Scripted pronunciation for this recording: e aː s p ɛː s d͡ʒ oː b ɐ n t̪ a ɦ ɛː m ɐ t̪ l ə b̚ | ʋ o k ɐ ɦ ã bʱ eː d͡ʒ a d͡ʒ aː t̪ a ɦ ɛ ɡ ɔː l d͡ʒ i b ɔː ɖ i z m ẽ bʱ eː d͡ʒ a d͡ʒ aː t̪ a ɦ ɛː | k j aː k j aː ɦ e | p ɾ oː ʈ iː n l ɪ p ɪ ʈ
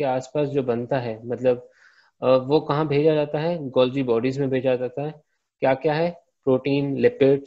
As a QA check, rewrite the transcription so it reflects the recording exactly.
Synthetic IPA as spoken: e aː s p aː s d͡ʒ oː b ɐ n t̪ a ɦ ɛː m ɐ t̪ l ə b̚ | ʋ o k ɐ ɦ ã bʱ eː d͡ʒ a d͡ʒ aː t̪ a ɦ ɛ ɡ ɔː l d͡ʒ i b ɔː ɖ i z m ẽ bʱ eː d͡ʒ a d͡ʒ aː t̪ a ɦ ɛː | k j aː k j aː ɦ ɛ | p ɾ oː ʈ iː n l ɪ p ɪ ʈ